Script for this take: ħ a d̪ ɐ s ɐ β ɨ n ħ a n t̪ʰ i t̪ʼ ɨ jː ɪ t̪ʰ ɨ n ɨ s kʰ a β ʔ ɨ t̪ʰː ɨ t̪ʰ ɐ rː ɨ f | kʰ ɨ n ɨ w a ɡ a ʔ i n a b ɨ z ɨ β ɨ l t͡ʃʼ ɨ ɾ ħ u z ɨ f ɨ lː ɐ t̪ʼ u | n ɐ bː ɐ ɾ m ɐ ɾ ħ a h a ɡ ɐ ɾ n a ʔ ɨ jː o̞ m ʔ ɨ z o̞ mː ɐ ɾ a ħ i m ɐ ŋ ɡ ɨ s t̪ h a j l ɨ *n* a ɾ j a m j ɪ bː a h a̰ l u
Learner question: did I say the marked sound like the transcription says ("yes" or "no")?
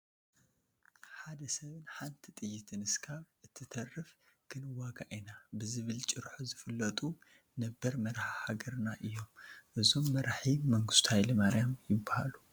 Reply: no